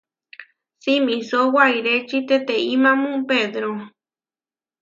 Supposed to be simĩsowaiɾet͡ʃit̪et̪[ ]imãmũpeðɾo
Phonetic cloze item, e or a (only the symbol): e